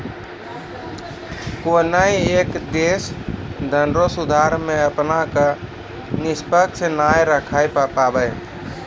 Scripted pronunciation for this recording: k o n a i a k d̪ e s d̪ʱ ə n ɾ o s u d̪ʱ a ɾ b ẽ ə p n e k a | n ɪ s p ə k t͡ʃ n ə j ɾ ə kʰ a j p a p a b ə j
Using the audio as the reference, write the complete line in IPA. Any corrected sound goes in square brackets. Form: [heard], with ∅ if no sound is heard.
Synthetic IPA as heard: k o n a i [e] k d̪ e s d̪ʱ ə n ɾ o s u d̪ʱ a ɾ [m] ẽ ə p n [a] k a | n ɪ s p ə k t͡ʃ n [a] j ɾ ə kʰ a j p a p a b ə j